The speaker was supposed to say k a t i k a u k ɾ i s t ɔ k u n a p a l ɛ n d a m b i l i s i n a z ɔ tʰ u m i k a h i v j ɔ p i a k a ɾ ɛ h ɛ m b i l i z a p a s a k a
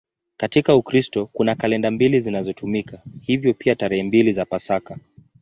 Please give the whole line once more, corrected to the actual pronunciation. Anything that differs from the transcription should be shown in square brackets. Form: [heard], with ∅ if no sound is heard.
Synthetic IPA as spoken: k a t i k a u k ɾ i s t ɔ k u n a [k] a l ɛ n d a m b i l i [z] i n a z ɔ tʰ u m i k a h i v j ɔ p i a [t] a ɾ ɛ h ɛ m b i l i z a p a s a k a